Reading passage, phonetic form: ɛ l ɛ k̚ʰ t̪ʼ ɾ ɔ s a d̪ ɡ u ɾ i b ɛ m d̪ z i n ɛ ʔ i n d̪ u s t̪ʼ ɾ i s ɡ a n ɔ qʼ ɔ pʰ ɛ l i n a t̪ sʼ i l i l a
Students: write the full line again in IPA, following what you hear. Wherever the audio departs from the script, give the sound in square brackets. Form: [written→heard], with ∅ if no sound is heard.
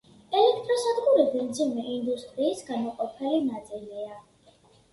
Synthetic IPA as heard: ɛ l ɛ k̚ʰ t̪ʼ ɾ ɔ s a d̪ ɡ u ɾ i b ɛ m d̪ z i [n→m] ɛ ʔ i n d̪ u s t̪ʼ ɾ [i→iː] s ɡ a n ɔ qʼ ɔ pʰ ɛ l i n a t̪ sʼ i l i [l→∅] a

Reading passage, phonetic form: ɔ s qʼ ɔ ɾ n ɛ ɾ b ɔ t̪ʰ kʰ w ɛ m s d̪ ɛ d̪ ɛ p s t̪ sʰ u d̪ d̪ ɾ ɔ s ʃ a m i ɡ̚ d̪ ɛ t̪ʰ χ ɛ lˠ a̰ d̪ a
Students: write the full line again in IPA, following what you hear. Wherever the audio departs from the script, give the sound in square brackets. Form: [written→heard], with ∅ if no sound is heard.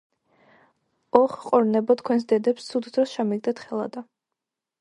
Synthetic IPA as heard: ɔ [s→χ] qʼ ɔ ɾ n ɛ [ɾ→∅] b ɔ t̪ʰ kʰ w ɛ [m→n] s d̪ ɛ d̪ ɛ p s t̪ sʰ u d̪ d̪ ɾ ɔ s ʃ a m i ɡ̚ d̪ ɛ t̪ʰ χ ɛ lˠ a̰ d̪ a

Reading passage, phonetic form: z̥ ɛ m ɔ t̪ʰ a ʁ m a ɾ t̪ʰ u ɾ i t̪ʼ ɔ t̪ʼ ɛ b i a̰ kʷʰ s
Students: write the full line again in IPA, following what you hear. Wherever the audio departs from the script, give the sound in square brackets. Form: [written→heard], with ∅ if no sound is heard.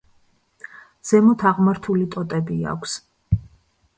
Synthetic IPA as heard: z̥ ɛ m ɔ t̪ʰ a ʁ m a ɾ t̪ʰ u [ɾ→l] i t̪ʼ ɔ t̪ʼ ɛ b i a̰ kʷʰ s

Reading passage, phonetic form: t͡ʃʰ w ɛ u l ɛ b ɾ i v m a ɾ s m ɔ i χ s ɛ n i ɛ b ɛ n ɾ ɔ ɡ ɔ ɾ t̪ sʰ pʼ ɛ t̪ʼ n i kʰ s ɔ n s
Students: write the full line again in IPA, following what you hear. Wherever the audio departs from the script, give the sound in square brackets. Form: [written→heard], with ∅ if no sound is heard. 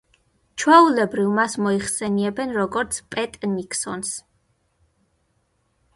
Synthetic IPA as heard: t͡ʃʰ w ɛ u l ɛ b ɾ i v m a [ɾ→∅] s m ɔ i χ s ɛ n i ɛ b ɛ n ɾ ɔ ɡ ɔ ɾ t̪ sʰ pʼ ɛ t̪ʼ n i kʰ s ɔ n s

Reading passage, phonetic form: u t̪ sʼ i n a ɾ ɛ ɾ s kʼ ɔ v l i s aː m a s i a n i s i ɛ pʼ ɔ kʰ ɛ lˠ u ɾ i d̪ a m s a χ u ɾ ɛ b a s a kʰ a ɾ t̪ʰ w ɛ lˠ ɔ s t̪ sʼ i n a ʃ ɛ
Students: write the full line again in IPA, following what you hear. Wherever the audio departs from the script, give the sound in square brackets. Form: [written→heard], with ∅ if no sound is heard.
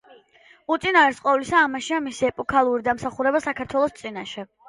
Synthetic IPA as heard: u t̪ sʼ i n a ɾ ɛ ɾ s [kʼ→qʼ] ɔ v l i s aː m a [s→ʃ] i a [n→m] i s i ɛ pʼ ɔ kʰ [ɛ→a] lˠ u ɾ i d̪ a m s a χ u ɾ ɛ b a s a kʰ a ɾ t̪ʰ w ɛ lˠ ɔ s t̪ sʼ i n a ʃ ɛ

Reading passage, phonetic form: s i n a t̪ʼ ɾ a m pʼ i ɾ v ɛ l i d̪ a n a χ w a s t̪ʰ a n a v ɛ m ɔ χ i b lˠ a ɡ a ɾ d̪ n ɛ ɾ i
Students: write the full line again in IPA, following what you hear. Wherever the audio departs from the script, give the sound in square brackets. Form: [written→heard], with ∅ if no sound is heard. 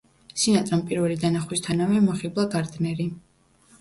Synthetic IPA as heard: s i n a t̪ʼ ɾ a m pʼ i ɾ v ɛ l i d̪ a n a χ w [a→i] s t̪ʰ a n a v ɛ m ɔ χ i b lˠ a ɡ a ɾ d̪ n ɛ ɾ i

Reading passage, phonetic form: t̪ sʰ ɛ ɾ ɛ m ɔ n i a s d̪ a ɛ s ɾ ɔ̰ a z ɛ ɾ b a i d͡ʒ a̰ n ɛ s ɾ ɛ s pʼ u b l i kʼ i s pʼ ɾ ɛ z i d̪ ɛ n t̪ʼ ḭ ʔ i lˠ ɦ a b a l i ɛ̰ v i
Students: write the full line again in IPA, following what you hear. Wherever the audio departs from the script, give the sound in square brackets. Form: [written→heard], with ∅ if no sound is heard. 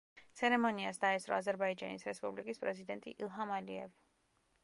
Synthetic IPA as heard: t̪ sʰ ɛ ɾ ɛ m ɔ n i a s d̪ a ɛ s ɾ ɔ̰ a z ɛ ɾ b a i d͡ʒ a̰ n [ɛ→i] s ɾ ɛ s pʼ u b l i kʼ i s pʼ ɾ ɛ z i d̪ ɛ n t̪ʼ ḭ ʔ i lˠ ɦ a [b→m] a l i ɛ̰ v i

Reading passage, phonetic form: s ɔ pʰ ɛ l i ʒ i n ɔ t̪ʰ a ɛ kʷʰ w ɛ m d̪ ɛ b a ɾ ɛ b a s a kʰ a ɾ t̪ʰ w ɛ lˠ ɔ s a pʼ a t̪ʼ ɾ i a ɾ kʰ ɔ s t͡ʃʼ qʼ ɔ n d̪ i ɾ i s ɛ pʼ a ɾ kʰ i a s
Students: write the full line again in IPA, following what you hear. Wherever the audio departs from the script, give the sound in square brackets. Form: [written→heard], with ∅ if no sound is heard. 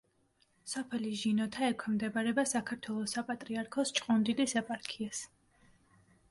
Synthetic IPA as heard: s ɔ pʰ ɛ l i ʒ i n ɔ t̪ʰ a ɛ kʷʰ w ɛ m d̪ ɛ b a ɾ ɛ b a s a kʰ a ɾ t̪ʰ w ɛ lˠ ɔ s a pʼ a t̪ʼ ɾ i a ɾ kʰ ɔ s t͡ʃʼ qʼ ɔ n d̪ i [ɾ→l] i s ɛ pʼ a ɾ kʰ i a s

